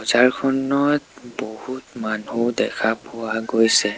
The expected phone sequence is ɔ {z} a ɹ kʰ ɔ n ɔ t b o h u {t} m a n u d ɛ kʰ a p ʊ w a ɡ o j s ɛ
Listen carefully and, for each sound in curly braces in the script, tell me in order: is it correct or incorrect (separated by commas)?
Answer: correct, correct